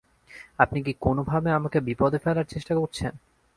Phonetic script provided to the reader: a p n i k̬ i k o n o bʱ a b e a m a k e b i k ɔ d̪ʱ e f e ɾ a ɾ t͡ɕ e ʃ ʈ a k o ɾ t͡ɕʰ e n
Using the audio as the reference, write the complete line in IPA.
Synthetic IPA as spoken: a p n i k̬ i k o n o bʱ a b e a m a k e b i p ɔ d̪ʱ e f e l a ɾ t͡ɕ e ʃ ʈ a k o ɾ t͡ɕʰ e n